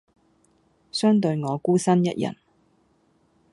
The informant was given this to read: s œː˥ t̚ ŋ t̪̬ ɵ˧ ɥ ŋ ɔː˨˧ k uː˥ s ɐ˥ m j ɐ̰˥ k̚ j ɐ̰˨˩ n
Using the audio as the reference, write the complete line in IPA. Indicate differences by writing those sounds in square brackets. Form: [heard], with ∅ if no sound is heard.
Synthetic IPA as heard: s œː˥ [∅] ŋ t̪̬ ɵ˧ ɥ ŋ ɔː˨˧ k uː˥ s ɐ˥ [n] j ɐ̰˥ [t̚] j ɐ̰˨˩ n